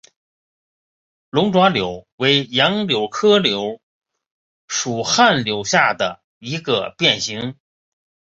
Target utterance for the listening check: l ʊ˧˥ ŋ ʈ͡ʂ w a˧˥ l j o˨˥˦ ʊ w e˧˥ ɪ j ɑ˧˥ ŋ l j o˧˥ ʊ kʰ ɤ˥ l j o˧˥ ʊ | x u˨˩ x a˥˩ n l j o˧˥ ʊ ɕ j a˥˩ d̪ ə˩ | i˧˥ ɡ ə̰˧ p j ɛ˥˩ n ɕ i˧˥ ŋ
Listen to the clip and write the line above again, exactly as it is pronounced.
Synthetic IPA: l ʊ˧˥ ŋ ʈ͡ʂ w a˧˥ l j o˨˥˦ ʊ w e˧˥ ɪ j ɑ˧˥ ŋ l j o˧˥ ʊ kʰ ɤ˥ l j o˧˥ ʊ | ʂ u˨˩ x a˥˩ n l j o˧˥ ʊ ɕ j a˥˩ d̪ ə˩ | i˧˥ ɡ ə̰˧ p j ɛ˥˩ n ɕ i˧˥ ŋ